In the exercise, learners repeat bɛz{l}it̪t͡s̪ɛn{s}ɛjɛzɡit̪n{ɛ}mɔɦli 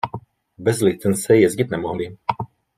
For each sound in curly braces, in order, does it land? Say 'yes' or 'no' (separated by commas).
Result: yes, yes, yes